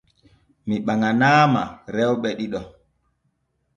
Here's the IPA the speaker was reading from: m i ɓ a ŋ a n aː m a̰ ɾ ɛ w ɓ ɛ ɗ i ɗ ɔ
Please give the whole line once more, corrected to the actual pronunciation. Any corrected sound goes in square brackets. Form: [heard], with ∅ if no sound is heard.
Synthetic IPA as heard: m i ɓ a ŋ a n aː m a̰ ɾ ɛ w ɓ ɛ ɗ i ɗ ɔ